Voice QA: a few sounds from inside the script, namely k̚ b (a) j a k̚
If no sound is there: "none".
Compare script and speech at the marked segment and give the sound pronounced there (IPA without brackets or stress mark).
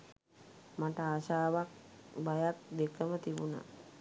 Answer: a